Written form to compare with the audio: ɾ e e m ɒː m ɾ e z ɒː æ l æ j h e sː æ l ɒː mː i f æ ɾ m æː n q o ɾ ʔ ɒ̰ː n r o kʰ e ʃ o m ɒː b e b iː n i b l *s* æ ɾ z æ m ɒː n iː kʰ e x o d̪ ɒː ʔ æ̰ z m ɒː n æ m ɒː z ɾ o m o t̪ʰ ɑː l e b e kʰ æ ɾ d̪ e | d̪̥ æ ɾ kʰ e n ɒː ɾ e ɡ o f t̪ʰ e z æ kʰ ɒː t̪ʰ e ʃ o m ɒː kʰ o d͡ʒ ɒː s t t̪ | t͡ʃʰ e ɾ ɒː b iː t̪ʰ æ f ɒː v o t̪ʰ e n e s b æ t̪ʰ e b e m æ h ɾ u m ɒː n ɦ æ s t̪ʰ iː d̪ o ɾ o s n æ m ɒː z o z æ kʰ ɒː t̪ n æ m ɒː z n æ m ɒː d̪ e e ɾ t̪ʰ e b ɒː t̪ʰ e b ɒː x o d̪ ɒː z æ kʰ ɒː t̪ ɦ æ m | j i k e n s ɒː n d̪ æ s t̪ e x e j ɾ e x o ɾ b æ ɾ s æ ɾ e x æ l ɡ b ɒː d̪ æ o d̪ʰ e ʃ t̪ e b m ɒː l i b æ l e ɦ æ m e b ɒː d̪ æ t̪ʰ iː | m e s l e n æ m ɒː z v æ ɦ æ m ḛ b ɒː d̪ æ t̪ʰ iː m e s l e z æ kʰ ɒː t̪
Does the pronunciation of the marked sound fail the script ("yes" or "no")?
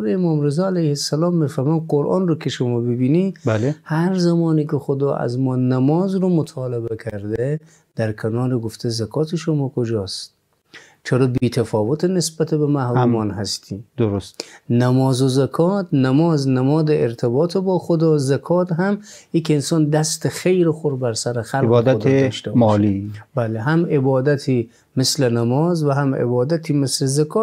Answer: yes